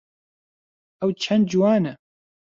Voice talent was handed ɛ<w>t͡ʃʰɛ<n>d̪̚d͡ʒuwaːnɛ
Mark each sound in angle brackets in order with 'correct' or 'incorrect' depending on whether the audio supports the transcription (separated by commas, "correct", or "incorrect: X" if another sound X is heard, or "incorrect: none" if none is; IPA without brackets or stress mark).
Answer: correct, correct